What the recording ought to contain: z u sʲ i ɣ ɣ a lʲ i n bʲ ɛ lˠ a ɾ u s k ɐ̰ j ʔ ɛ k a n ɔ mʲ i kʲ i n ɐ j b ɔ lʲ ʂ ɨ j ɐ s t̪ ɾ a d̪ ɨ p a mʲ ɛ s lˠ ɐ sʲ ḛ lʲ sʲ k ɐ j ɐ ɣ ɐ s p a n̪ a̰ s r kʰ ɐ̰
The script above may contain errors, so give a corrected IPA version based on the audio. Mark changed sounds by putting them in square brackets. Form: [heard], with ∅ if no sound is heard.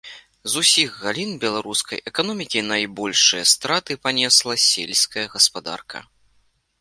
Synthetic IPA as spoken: z u sʲ i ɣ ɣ a lʲ i n bʲ ɛ lˠ a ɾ u s k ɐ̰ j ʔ ɛ k a n ɔ mʲ i kʲ i n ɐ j b ɔ lʲ ʂ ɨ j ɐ s t̪ ɾ a [t̪] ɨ p a [nʲ] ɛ s lˠ ɐ sʲ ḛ lʲ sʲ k ɐ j ɐ ɣ ɐ s p a [d̪] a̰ [∅] r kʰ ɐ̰